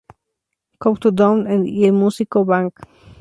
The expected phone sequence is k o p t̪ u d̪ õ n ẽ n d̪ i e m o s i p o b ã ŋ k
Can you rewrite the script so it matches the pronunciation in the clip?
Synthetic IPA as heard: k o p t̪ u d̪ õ n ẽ n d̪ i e m u s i k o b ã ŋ k